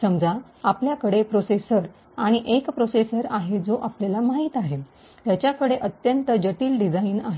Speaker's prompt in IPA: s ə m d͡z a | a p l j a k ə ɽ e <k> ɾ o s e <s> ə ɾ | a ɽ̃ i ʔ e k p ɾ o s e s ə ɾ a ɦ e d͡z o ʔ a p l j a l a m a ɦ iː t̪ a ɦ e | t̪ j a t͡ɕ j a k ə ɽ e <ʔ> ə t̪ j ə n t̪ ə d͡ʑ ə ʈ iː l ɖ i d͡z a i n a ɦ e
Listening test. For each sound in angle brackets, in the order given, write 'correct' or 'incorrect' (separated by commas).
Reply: incorrect, correct, correct